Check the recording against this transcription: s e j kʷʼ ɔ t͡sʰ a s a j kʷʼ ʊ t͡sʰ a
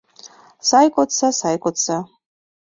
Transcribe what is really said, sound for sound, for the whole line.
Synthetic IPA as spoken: s a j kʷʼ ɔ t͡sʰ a s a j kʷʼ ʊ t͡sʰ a